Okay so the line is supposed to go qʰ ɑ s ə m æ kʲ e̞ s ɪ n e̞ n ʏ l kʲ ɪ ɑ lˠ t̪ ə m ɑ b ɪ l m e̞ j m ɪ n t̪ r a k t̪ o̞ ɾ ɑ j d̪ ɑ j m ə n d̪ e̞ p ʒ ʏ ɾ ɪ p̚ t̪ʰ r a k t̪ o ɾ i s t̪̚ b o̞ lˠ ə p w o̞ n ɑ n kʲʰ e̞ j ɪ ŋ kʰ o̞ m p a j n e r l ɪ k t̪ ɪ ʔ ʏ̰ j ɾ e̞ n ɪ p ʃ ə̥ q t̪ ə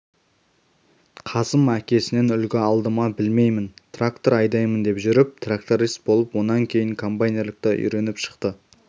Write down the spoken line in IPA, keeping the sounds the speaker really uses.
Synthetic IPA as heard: qʰ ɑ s ə m æ kʲ e̞ s ɪ n e̞ n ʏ l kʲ ɪ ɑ lˠ d̪ ə m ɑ b ɪ l m e̞ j m ɪ n t̪ r a k t̪ o̞ ɾ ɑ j d̪ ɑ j m ə n d̪ e̞ p ʒ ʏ ɾ ɪ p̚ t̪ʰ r a k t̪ o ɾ i s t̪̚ b o̞ lˠ ə p w o̞ n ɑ ŋ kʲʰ e̞ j ɪ ŋ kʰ o̞ m p a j n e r l ɪ k t̪ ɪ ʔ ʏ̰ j ɾ e̞ n ɪ p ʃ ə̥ q t̪ ə